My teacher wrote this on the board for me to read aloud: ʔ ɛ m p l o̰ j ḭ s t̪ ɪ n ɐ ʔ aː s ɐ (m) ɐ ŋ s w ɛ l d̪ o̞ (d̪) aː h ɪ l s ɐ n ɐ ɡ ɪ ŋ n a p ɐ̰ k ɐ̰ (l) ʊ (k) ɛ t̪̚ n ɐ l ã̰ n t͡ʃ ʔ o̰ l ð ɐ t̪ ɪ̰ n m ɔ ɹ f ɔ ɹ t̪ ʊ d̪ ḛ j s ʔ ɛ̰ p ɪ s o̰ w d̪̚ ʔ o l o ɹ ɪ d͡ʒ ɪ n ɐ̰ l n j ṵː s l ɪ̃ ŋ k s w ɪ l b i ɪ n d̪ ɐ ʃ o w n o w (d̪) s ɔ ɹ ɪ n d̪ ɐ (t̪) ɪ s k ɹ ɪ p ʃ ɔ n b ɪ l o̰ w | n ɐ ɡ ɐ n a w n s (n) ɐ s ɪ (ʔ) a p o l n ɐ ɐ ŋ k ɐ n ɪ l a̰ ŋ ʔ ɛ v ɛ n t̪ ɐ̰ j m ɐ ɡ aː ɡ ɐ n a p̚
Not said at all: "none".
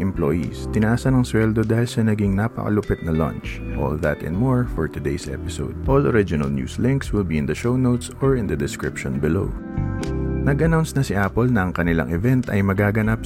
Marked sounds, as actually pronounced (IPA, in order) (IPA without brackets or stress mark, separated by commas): n, d̪, l, p, t̪, d̪, n, ʔ